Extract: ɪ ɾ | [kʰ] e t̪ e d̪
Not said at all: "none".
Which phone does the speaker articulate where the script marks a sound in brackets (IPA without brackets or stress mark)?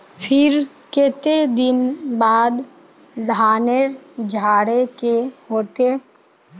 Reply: k